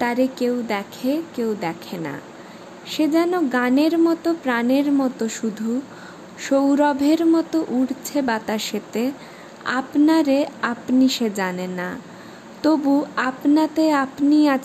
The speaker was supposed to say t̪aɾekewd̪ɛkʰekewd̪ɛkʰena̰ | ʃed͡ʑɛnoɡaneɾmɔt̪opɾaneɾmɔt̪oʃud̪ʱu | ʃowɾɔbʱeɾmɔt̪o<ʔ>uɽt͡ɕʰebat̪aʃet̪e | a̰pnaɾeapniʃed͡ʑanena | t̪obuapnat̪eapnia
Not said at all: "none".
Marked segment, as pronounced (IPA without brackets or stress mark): ʔ